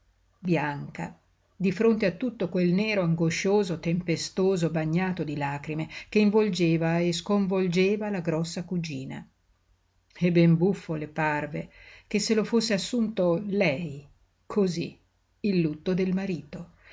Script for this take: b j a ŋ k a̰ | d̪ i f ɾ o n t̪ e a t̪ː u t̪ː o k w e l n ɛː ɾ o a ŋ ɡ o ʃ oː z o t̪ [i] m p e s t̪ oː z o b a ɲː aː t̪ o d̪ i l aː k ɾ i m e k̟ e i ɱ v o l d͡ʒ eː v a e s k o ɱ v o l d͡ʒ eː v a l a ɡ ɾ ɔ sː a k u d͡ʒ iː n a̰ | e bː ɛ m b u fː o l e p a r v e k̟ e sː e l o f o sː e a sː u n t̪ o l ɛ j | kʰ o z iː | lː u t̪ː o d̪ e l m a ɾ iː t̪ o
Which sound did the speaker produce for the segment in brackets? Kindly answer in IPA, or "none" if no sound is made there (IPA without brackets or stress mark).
e